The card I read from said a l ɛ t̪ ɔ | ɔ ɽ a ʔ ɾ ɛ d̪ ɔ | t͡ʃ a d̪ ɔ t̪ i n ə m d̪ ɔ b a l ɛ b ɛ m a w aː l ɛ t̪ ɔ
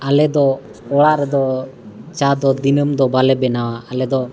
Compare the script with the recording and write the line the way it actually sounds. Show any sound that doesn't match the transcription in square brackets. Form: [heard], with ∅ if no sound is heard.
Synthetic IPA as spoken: a l ɛ [d̪] ɔ | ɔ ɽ a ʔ ɾ ɛ d̪ ɔ | t͡ʃ a d̪ ɔ [d̪] i n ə m d̪ ɔ b a l ɛ b ɛ [n] a w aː l ɛ [d̪] ɔ